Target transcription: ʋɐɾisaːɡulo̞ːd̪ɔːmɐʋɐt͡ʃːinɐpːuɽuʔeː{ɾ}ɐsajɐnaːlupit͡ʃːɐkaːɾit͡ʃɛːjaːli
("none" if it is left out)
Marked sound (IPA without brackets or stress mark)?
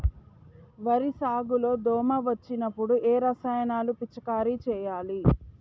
ɾ